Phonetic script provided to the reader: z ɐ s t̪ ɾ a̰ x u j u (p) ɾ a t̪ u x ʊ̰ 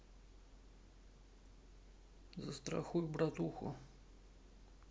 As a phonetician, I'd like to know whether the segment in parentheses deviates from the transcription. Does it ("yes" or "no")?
yes